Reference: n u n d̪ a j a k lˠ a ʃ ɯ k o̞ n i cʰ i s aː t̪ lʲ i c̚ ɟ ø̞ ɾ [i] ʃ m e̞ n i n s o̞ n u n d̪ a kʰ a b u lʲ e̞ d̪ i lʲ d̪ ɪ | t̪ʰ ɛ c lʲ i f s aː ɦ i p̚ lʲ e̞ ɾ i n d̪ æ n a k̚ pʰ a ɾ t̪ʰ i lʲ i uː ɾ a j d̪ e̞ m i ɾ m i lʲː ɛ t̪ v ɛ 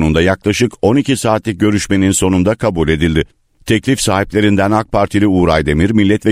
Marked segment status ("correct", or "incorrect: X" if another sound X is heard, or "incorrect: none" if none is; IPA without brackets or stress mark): incorrect: y